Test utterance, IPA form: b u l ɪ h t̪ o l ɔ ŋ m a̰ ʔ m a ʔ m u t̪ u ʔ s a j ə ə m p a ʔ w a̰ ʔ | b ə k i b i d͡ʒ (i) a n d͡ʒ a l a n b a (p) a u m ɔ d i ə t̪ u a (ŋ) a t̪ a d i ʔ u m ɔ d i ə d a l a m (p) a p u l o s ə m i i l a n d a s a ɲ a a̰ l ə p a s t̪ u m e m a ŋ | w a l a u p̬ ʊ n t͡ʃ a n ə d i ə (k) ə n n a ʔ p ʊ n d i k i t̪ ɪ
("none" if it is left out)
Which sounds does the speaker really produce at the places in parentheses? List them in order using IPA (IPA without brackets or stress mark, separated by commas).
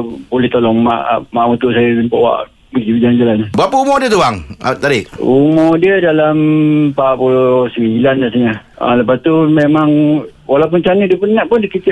a, p, ŋ, p, p